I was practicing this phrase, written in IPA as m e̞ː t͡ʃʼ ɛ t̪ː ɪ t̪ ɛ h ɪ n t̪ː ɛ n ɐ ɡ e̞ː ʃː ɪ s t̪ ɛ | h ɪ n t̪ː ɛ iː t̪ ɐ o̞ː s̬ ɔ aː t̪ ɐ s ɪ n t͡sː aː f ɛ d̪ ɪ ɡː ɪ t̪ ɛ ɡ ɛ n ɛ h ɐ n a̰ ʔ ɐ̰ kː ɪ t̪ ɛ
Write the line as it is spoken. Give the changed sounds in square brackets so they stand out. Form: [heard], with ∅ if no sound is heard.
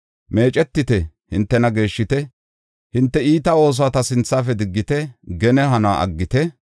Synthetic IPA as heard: m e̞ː t͡ʃʼ ɛ t̪ː ɪ t̪ ɛ h ɪ n t̪ː ɛ n ɐ ɡ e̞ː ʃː ɪ [∅] t̪ ɛ | h ɪ n t̪ː ɛ iː t̪ ɐ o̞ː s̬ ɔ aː t̪ ɐ s ɪ n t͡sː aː f ɛ d̪ ɪ ɡː ɪ t̪ ɛ ɡ ɛ n ɛ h ɐ n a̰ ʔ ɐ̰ [ɡː] ɪ t̪ ɛ

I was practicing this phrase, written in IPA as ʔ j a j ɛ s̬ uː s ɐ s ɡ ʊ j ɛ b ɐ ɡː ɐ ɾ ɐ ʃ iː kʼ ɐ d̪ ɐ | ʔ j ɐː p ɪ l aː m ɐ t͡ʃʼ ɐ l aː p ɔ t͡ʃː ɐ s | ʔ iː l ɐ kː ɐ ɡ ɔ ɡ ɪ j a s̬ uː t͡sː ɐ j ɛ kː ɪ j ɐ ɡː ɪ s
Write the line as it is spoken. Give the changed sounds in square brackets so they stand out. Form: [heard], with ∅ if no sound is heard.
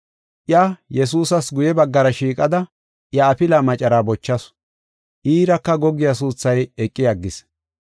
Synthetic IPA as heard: ʔ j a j ɛ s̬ uː s ɐ s ɡ ʊ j ɛ b ɐ ɡː ɐ ɾ ɐ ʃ iː kʼ ɐ d̪ ɐ | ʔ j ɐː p ɪ l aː m ɐ t͡ʃʼ ɐ [ɾ] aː [b] ɔ t͡ʃː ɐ s | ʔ iː [ɾ] ɐ kː ɐ ɡ ɔ ɡ ɪ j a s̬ uː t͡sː ɐ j ɛ [kʼː] ɪ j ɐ ɡː ɪ s

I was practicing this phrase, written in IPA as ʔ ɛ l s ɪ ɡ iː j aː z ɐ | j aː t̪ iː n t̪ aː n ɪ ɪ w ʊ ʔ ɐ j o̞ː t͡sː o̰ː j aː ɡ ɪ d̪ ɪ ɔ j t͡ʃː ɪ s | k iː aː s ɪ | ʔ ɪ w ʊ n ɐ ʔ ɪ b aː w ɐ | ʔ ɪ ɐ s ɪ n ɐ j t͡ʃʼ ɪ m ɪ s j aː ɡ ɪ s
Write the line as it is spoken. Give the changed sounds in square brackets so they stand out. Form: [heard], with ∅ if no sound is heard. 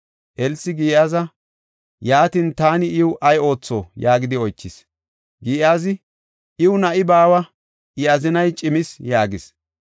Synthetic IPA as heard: ʔ ɛ l s ɪ ɡ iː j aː z ɐ | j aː t̪ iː n t̪ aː n ɪ ɪ w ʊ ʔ ɐ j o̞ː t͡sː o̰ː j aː ɡ ɪ d̪ ɪ ɔ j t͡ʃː ɪ s | [ɡ] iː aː [z] ɪ | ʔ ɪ w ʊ n ɐ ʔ ɪ b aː w ɐ | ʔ ɪ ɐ [z] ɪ n ɐ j t͡ʃʼ ɪ m ɪ s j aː ɡ ɪ s

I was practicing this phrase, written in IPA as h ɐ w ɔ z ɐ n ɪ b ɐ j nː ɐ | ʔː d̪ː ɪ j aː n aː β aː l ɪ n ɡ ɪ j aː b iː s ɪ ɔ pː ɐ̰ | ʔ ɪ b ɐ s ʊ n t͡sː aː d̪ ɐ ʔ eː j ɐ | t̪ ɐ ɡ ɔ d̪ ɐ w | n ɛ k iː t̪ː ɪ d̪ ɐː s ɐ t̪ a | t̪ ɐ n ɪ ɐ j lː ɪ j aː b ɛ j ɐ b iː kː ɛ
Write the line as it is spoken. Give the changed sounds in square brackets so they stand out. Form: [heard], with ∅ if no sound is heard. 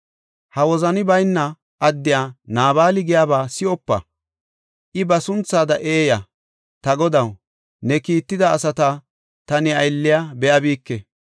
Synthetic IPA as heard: h ɐ w ɔ z ɐ n ɪ b ɐ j nː ɐ | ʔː d̪ː ɪ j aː n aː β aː l ɪ [∅] ɡ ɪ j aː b [aː] s ɪ ɔ pː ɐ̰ | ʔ ɪ b ɐ s ʊ n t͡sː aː d̪ ɐ ʔ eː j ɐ | t̪ ɐ ɡ ɔ d̪ ɐ w | n ɛ k iː t̪ː ɪ d̪ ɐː s ɐ t̪ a | t̪ ɐ n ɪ ɐ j lː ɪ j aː b ɛ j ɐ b iː kː ɛ

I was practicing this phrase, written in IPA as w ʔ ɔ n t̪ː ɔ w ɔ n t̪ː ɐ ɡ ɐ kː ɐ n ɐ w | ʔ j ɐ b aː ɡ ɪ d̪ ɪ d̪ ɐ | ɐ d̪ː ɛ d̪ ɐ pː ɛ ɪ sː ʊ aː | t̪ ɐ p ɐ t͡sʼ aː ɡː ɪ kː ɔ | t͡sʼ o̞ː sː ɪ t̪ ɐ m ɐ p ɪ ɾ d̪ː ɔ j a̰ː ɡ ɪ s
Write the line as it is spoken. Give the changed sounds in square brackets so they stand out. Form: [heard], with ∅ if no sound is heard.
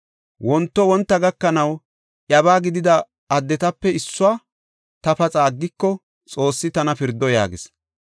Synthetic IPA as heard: w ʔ ɔ n t̪ː ɔ w ɔ n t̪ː ɐ ɡ ɐ kː ɐ n ɐ w | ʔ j ɐ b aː ɡ ɪ d̪ ɪ d̪ ɐ | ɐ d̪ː ɛ [t̪] ɐ pː ɛ ɪ sː ʊ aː | t̪ ɐ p ɐ t͡sʼ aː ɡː ɪ kː ɔ | t͡sʼ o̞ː sː ɪ t̪ ɐ [n] ɐ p ɪ ɾ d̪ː ɔ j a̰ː ɡ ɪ s

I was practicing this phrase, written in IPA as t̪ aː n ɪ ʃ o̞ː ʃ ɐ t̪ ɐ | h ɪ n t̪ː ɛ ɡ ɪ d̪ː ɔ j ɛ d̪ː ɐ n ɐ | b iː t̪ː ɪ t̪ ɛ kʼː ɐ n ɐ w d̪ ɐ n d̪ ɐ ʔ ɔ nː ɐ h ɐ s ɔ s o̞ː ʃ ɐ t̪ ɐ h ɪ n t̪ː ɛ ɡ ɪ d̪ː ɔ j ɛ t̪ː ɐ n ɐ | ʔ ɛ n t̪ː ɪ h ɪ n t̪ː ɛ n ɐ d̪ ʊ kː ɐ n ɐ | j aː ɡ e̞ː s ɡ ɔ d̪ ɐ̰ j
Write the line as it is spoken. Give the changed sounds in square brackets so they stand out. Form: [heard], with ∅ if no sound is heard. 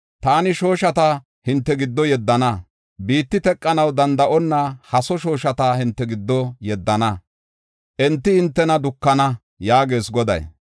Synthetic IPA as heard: t̪ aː n ɪ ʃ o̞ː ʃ ɐ t̪ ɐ | h ɪ n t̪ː ɛ ɡ ɪ d̪ː ɔ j ɛ d̪ː ɐ n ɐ | b iː t̪ː ɪ t̪ ɛ kʼː ɐ n ɐ w d̪ ɐ n d̪ ɐ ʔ ɔ nː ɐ h ɐ s ɔ [ʃ] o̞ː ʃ ɐ t̪ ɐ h ɪ n t̪ː ɛ ɡ ɪ d̪ː ɔ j ɛ [d̪ː] ɐ n ɐ | ʔ ɛ n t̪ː ɪ h ɪ n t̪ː ɛ n ɐ d̪ ʊ kː ɐ n ɐ | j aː ɡ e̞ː s ɡ ɔ d̪ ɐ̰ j

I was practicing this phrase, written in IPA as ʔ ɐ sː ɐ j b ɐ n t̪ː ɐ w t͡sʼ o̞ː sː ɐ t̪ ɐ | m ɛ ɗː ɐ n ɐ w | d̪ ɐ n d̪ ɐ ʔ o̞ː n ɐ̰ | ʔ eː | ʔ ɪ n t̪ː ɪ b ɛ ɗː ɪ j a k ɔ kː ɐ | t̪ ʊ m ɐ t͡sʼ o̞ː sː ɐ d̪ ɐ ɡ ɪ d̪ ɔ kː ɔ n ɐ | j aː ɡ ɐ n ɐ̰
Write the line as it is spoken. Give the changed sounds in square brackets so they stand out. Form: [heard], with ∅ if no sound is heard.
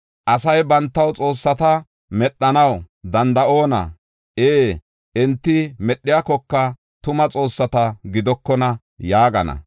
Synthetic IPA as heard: ʔ ɐ [s] ɐ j b ɐ n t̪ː ɐ w t͡sʼ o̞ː sː ɐ t̪ ɐ | m ɛ ɗː ɐ n ɐ w | d̪ ɐ n d̪ ɐ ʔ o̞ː n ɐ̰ | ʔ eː | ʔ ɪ n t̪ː ɪ [m] ɛ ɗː ɪ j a k ɔ kː ɐ | t̪ ʊ m ɐ t͡sʼ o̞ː sː ɐ [t̪] ɐ ɡ ɪ d̪ ɔ kː ɔ n ɐ | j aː ɡ ɐ n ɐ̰

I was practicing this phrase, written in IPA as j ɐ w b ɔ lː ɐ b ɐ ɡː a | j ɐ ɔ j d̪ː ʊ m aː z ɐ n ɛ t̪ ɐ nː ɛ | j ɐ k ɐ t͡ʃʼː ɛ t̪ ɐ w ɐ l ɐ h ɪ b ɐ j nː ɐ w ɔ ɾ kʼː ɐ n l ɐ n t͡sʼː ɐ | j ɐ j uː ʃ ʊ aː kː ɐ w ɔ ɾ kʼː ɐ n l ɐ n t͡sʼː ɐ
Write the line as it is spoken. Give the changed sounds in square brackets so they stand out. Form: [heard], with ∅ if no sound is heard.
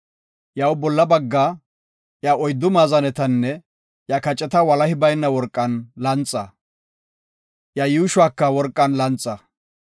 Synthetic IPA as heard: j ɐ w b ɔ lː ɐ b ɐ ɡː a | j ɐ ɔ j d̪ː ʊ m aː z ɐ n ɛ t̪ ɐ nː ɛ | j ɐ k ɐ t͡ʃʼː ɛ t̪ ɐ w ɐ l ɐ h ɪ b ɐ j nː ɐ w ɔ ɾ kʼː ɐ n l ɐ n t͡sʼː ɐ | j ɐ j uː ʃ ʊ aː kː ɐ w ɔ ɾ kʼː ɐ n l ɐ n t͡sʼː ɐ

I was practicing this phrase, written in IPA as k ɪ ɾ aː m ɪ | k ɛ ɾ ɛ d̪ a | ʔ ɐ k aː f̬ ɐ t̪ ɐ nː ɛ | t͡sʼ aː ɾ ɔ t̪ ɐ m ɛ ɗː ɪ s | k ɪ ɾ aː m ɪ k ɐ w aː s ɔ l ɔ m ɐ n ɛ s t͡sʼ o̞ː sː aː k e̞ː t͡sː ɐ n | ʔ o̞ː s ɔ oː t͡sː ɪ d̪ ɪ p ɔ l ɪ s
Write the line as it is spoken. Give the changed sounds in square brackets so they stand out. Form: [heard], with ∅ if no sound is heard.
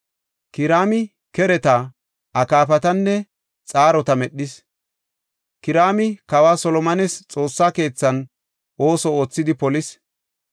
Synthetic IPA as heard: k ɪ ɾ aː m ɪ | k ɛ ɾ ɛ [t̪] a | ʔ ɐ k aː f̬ ɐ t̪ ɐ nː ɛ | t͡sʼ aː ɾ ɔ t̪ ɐ m ɛ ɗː ɪ s | k ɪ ɾ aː m ɪ k ɐ w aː s ɔ l ɔ m ɐ n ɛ s t͡sʼ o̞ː sː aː k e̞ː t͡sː ɐ n | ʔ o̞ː s ɔ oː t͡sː ɪ d̪ ɪ p ɔ l ɪ s

